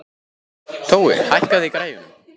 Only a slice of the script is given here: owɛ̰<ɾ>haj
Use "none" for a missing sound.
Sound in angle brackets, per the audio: ɾ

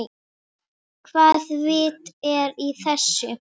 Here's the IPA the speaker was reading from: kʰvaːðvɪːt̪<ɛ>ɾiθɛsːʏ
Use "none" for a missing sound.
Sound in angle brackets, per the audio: ɛ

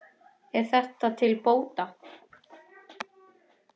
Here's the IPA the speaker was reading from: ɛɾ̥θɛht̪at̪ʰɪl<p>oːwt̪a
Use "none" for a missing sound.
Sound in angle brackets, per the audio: p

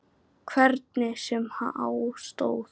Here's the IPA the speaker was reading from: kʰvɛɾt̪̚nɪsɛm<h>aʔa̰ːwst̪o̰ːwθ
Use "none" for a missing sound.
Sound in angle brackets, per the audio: h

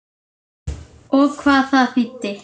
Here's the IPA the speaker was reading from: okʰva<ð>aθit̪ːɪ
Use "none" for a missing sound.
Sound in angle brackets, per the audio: θ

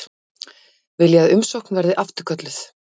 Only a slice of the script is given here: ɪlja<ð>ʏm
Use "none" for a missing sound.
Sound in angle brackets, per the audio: ð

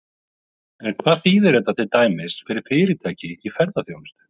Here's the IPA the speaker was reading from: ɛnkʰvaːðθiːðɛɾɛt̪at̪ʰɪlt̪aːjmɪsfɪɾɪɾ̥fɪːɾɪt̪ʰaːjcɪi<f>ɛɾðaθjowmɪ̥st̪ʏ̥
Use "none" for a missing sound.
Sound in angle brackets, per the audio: f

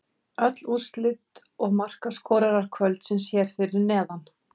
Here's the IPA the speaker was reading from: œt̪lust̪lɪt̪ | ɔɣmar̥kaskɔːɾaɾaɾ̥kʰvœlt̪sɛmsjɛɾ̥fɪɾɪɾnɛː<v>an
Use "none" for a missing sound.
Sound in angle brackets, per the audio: ð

